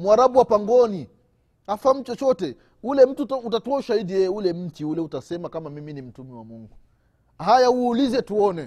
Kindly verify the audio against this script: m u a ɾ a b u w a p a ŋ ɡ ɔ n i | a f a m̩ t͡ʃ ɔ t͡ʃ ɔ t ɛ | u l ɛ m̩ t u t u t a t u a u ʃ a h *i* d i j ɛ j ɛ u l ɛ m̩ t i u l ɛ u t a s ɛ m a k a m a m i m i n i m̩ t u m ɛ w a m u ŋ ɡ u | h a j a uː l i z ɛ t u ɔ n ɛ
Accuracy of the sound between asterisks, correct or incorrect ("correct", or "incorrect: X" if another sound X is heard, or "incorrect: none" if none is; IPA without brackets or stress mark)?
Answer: correct